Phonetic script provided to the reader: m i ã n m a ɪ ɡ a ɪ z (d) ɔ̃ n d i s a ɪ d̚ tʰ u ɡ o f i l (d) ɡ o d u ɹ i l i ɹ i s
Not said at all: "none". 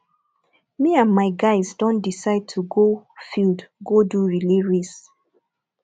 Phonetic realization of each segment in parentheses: d, d

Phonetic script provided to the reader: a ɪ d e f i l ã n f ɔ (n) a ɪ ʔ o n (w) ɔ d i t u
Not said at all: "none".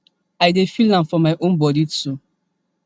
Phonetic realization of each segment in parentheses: m, b

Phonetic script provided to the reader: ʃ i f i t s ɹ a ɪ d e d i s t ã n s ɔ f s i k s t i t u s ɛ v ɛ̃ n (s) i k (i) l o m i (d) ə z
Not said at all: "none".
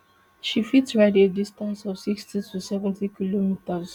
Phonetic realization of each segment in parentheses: t, i, t

